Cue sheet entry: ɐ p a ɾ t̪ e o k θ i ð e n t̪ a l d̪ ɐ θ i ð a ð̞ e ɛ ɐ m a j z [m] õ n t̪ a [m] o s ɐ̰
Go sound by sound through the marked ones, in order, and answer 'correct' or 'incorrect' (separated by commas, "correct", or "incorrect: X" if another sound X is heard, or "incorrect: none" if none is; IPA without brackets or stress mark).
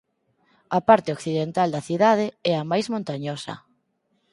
correct, incorrect: ɲ